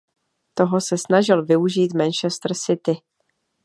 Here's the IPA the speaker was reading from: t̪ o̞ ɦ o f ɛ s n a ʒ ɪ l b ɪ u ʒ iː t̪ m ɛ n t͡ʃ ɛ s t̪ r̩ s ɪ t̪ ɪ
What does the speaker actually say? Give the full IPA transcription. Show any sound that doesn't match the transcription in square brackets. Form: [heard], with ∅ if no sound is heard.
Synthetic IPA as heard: t̪ o̞ ɦ o [s] ɛ s n a ʒ ɪ l [v] ɪ u ʒ iː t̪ m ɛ n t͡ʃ ɛ s t̪ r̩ s ɪ t̪ ɪ